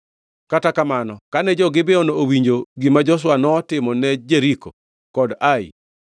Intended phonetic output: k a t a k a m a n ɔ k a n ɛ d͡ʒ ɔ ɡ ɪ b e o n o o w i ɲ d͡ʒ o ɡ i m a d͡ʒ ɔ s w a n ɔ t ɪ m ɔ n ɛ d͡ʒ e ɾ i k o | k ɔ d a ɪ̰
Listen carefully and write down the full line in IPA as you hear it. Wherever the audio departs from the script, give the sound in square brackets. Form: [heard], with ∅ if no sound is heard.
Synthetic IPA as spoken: k a t a k a m a n ɔ k a n ɛ d͡ʒ ɔ ɡ ɪ b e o n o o w i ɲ d͡ʒ o ɡ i m a d͡ʒ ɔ s w a n ɔ t ɪ m ɔ n ɛ d͡ʒ e ɾ i k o | k ɔ d a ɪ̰